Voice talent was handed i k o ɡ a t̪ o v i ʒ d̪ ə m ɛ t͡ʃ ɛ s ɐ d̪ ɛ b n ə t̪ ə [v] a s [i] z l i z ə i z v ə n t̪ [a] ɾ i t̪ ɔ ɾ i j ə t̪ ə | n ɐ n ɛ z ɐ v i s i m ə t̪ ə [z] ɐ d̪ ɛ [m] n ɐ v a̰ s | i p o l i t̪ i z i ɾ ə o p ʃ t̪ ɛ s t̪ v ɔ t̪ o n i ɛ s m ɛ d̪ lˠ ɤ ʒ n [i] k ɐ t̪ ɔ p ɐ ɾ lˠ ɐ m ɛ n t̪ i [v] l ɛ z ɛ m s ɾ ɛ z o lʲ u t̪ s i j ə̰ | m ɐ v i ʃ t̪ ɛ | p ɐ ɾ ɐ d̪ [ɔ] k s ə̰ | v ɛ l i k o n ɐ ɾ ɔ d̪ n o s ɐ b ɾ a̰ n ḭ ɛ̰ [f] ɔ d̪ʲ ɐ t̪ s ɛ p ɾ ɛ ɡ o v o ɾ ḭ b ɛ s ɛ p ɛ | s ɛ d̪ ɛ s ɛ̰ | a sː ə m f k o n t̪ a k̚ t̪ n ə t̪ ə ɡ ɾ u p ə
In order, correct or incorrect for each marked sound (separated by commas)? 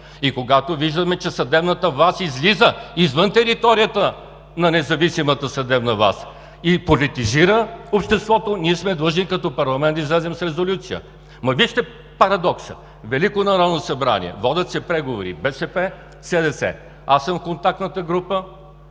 correct, correct, incorrect, incorrect, incorrect, correct, incorrect, correct, incorrect